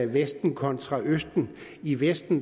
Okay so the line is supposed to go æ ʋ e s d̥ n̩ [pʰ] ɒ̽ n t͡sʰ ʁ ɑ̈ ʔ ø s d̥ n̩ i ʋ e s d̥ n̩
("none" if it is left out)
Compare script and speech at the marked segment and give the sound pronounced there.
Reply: kʰ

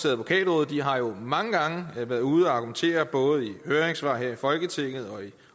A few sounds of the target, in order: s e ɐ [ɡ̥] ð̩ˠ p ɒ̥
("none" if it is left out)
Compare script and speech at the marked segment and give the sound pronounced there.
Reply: none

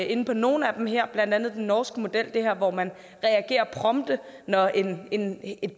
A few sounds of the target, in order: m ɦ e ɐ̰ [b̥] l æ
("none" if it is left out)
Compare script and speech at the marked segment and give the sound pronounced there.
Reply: b̥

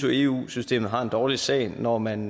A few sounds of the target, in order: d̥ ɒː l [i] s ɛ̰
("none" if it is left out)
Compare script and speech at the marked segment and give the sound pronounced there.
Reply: i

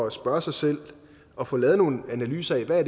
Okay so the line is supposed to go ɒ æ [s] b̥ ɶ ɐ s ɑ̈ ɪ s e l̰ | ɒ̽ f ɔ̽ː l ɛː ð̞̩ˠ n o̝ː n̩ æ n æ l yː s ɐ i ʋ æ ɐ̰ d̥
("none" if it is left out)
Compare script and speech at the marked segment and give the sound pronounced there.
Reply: s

